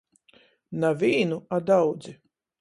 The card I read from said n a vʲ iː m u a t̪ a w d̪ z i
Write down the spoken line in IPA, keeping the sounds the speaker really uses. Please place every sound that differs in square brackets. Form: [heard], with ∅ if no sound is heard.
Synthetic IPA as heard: n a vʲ iː [n] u a [d̪] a w d̪ z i